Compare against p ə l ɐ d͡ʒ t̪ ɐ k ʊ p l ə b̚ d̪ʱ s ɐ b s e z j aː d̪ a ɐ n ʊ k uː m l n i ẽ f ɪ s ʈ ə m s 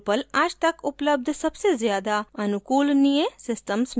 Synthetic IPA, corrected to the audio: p ə l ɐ d͡ʒ t̪ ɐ k ʊ p l ə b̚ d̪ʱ s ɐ b s e z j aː d̪ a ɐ n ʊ k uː l n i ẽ s ɪ s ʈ ə m s